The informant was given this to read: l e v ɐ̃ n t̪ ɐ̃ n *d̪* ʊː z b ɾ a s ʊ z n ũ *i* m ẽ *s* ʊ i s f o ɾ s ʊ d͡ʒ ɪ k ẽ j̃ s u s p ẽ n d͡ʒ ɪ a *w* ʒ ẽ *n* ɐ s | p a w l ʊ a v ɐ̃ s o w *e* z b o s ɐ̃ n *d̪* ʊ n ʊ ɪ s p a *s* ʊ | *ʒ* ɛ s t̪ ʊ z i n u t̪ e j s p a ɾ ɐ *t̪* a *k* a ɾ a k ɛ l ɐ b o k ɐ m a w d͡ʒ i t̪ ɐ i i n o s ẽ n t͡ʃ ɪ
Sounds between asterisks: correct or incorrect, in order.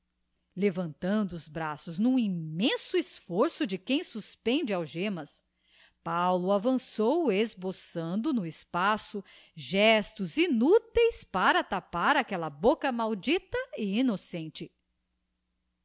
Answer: correct, correct, correct, correct, incorrect, correct, correct, correct, correct, correct, incorrect

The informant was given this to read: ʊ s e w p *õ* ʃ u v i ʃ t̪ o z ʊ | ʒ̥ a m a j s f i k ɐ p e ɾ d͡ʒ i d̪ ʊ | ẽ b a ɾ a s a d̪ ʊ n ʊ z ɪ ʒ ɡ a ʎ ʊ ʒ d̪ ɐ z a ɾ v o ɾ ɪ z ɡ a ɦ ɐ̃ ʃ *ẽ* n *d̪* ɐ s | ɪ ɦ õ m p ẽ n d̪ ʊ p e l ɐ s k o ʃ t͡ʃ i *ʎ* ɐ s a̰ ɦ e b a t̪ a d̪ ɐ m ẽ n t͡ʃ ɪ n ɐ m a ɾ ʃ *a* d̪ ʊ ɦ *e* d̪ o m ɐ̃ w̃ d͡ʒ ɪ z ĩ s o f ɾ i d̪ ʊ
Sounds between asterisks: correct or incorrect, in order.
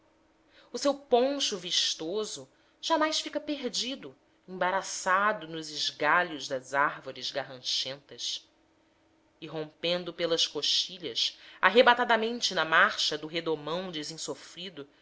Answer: correct, correct, incorrect, correct, incorrect, correct

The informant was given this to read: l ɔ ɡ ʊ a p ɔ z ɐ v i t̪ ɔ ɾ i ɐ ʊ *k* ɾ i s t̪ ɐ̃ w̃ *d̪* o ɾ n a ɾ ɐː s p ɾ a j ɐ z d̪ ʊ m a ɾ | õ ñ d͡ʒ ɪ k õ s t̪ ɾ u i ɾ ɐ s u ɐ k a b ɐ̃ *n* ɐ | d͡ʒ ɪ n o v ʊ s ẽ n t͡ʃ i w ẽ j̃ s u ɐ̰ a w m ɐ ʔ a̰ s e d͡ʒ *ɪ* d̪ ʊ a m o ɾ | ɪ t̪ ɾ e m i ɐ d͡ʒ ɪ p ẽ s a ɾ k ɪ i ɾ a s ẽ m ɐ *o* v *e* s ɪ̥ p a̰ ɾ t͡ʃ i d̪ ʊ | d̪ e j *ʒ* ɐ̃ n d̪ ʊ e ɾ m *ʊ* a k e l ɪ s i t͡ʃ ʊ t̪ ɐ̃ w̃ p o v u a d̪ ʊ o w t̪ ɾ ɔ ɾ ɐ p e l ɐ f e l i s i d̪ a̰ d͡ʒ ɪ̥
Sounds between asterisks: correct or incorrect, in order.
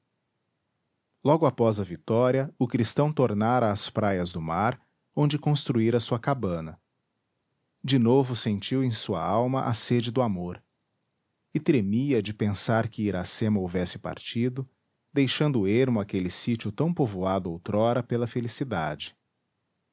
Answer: correct, incorrect, correct, correct, correct, incorrect, incorrect, correct

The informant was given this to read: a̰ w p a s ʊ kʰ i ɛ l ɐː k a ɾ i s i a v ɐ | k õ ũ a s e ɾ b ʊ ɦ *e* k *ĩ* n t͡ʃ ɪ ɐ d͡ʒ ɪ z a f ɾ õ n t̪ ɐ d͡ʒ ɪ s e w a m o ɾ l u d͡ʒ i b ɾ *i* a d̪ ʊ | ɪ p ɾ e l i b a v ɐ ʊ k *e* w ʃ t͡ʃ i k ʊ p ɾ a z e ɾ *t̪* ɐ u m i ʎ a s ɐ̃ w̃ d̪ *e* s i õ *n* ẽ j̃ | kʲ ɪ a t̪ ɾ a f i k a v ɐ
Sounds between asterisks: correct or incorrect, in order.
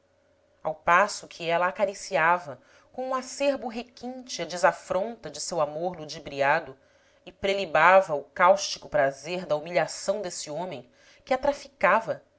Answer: correct, correct, correct, incorrect, incorrect, correct, incorrect

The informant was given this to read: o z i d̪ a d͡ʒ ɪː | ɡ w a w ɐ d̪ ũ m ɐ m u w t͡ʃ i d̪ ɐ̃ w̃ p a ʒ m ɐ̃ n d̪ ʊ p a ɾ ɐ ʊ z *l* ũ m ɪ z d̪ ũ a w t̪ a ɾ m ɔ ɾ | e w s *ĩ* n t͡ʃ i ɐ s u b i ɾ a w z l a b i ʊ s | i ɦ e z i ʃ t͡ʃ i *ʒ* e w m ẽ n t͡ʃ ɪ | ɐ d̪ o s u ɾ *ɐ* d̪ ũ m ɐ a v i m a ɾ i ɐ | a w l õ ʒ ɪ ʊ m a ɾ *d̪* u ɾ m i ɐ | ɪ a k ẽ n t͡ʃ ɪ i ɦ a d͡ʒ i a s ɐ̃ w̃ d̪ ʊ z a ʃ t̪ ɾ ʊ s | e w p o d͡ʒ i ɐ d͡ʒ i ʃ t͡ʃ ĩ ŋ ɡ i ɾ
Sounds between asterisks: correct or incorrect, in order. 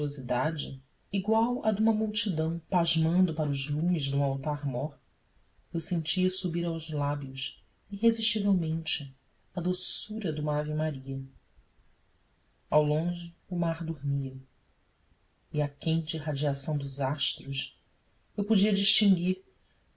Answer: correct, incorrect, incorrect, correct, correct

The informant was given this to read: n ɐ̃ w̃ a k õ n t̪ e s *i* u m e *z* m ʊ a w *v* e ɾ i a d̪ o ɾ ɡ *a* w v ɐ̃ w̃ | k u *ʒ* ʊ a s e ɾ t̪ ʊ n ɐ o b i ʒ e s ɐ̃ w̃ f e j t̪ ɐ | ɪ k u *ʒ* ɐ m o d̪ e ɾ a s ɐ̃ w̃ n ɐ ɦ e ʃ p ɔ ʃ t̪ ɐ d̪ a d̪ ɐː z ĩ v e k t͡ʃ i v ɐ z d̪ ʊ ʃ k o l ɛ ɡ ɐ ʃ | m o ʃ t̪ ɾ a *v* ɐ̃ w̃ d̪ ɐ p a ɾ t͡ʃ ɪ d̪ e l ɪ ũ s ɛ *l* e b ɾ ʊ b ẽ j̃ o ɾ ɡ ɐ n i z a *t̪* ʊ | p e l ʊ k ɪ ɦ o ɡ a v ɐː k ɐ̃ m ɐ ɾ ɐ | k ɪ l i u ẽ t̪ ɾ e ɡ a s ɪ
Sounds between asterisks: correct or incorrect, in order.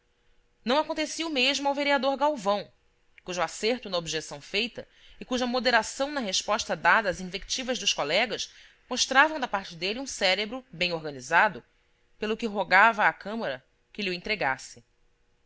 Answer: correct, incorrect, correct, correct, correct, correct, correct, incorrect, incorrect

